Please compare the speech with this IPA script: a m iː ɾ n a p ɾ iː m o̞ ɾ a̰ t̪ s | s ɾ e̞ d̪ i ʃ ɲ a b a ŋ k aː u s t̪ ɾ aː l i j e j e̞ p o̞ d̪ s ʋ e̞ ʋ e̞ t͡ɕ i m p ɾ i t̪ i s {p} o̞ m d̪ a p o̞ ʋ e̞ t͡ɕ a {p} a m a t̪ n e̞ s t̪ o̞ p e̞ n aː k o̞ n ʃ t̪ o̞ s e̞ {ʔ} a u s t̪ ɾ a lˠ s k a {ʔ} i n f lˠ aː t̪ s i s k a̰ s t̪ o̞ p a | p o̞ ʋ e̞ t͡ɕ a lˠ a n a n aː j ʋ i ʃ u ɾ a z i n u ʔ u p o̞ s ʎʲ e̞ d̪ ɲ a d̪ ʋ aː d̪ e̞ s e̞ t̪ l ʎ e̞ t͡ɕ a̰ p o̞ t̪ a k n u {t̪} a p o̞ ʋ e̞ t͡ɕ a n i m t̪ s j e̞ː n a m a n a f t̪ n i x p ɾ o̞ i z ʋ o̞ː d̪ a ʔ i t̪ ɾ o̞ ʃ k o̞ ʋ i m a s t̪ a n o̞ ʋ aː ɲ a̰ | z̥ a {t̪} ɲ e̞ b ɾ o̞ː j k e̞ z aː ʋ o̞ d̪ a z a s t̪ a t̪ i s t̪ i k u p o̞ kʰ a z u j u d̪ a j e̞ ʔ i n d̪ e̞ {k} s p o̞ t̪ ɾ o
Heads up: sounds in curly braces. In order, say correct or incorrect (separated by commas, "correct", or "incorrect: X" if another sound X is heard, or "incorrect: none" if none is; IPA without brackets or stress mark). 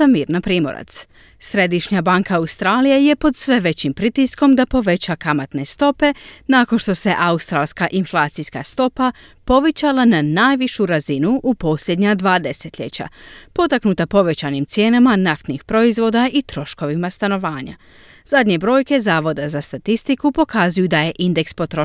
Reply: incorrect: k, incorrect: k, correct, correct, correct, incorrect: d̪, correct